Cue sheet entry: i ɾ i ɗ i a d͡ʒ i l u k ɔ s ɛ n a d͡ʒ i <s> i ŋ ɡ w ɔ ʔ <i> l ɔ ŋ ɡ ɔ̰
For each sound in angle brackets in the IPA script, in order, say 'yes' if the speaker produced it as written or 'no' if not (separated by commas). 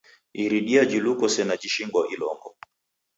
no, yes